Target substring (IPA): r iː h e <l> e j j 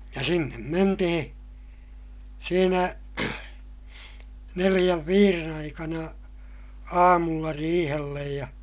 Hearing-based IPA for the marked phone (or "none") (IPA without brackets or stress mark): lː